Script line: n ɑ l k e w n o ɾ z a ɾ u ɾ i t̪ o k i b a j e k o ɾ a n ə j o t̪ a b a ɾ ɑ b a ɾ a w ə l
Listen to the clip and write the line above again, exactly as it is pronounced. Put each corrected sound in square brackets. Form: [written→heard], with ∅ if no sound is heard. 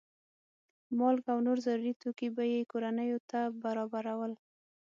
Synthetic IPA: [n→m] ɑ l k [e→a] w n o ɾ z a ɾ u ɾ i t̪ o k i b a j e k o ɾ a n ə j o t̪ a b a ɾ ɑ b a ɾ a w ə l